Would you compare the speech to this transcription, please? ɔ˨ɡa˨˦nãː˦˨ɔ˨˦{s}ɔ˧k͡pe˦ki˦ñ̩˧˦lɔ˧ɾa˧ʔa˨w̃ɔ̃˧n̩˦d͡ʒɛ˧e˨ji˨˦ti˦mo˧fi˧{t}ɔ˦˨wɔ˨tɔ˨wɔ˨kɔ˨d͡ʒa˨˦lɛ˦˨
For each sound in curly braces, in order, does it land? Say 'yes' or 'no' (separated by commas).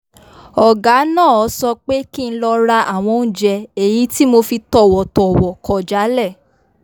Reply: yes, yes